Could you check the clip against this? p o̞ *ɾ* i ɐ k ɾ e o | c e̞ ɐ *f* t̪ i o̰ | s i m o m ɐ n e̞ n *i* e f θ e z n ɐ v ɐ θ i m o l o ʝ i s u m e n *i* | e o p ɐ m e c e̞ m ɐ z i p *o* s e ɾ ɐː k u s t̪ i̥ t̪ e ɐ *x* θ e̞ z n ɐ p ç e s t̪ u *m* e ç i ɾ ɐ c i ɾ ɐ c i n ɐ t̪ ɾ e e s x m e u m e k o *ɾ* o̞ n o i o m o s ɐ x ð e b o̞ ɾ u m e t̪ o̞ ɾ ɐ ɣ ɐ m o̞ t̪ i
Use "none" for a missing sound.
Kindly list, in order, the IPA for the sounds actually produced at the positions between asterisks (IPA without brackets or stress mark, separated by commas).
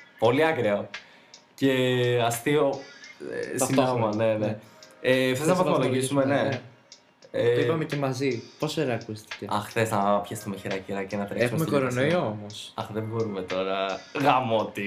l, s, e, e, o, x, m, ɾ